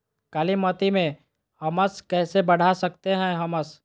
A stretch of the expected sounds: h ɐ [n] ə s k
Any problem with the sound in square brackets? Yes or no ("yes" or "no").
yes